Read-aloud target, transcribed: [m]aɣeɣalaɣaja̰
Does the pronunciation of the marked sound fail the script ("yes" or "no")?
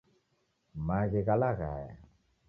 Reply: no